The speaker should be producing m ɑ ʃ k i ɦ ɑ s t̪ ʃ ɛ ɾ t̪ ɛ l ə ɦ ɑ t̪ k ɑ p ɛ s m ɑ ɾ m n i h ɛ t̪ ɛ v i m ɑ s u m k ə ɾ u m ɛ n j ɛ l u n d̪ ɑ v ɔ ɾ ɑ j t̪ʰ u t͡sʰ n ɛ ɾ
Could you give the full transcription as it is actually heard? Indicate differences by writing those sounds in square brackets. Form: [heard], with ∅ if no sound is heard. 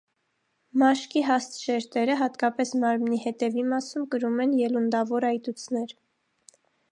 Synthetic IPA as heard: m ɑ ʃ k i ɦ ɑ s t̪ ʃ ɛ ɾ t̪ ɛ [ɾ] ə ɦ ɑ t̪ k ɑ p ɛ s m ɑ ɾ m n i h ɛ t̪ ɛ v i m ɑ s u m k ə ɾ u m ɛ n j ɛ l u n d̪ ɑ v ɔ ɾ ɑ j [t̪] u t͡sʰ n ɛ ɾ